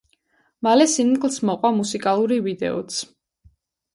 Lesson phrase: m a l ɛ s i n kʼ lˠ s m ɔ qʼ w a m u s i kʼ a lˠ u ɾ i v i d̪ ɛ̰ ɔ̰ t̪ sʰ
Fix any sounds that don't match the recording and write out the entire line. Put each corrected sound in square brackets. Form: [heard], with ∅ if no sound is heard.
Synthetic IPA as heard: m a l ɛ s i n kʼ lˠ s m ɔ qʼ w a m u s i kʼ a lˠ u ɾ i v i d̪ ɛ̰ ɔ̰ t̪ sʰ